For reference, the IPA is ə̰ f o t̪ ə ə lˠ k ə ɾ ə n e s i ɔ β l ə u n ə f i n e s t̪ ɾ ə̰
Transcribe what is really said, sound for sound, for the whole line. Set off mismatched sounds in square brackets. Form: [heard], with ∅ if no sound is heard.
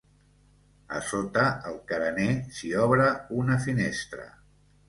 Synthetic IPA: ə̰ [s] o t̪ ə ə lˠ k ə ɾ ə n e s i ɔ β [ɾ] ə u n ə f i n e s t̪ ɾ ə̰